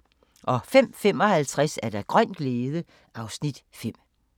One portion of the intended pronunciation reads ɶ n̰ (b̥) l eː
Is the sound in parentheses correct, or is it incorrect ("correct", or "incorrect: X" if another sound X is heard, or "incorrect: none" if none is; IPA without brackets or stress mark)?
incorrect: ɡ̥